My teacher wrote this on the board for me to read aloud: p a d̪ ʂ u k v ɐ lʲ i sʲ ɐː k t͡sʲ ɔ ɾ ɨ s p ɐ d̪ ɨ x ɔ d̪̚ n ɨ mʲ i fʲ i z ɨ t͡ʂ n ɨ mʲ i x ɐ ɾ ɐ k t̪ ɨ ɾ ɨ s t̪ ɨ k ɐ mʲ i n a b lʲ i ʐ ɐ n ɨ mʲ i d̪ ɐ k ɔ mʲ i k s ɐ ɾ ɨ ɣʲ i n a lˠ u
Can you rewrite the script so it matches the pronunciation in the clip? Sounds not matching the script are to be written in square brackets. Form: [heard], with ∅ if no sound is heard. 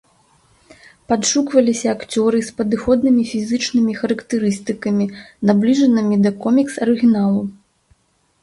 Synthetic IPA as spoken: p a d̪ ʂ u k v ɐ lʲ i sʲ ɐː k t͡sʲ ɔ ɾ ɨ s p ɐ d̪ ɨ x ɔ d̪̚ n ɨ mʲ i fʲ i z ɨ t͡ʂ n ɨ mʲ i x ɐ ɾ ɐ k t̪ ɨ ɾ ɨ s t̪ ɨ k ɐ mʲ i n a b lʲ i ʐ ɐ n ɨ mʲ i d̪ ɐ k ɔ mʲ i k s ɐ ɾ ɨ ɣʲ i n a lˠ u